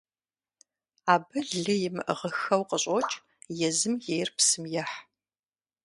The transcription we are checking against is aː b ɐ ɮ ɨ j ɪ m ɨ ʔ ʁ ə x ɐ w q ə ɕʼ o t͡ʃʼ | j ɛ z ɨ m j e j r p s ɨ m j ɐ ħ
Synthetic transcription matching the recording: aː b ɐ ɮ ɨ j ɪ m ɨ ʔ ʁ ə x ɐ w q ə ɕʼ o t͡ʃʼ | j ɛ z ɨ m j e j r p s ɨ m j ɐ ħ